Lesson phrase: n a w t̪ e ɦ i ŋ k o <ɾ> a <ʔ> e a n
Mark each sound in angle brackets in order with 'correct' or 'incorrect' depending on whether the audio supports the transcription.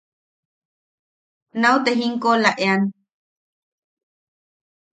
incorrect, correct

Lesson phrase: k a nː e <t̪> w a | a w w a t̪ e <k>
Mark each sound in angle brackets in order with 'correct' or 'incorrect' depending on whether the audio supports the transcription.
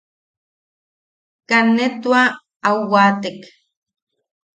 correct, correct

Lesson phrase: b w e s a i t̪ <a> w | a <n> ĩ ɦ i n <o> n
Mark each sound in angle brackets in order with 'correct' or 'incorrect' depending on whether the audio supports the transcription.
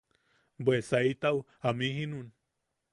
correct, incorrect, incorrect

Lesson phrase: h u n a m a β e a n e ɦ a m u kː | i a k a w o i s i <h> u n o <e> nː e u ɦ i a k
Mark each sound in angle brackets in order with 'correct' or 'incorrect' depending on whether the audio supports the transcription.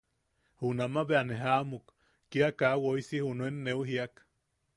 correct, correct

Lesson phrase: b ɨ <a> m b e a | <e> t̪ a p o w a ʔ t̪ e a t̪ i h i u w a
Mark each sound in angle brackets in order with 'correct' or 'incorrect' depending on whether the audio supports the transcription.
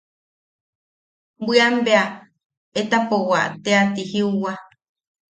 correct, correct

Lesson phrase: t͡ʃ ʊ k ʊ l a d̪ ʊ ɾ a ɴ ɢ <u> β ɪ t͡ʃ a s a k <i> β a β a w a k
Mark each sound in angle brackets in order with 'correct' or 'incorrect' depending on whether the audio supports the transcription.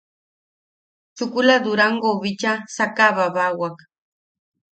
incorrect, incorrect

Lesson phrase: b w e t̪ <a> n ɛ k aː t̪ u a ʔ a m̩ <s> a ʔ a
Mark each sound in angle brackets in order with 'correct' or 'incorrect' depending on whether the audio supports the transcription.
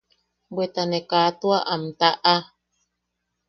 correct, incorrect

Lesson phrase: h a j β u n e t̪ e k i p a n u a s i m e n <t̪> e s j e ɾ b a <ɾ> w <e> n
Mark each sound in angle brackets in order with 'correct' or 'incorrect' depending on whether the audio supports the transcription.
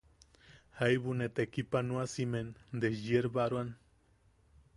incorrect, correct, incorrect

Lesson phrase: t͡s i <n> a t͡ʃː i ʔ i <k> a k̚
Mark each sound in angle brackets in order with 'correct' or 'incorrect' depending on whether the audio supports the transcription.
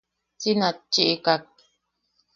correct, correct

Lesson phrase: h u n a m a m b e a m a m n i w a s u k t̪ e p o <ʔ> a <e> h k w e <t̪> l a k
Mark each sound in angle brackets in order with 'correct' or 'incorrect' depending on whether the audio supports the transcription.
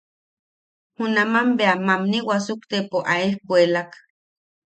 correct, correct, incorrect

